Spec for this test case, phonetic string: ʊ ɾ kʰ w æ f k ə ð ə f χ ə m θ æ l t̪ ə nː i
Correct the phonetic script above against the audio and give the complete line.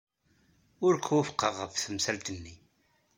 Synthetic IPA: ʊ ɾ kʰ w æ f q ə ʁ ə f θ ə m s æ l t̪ ə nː i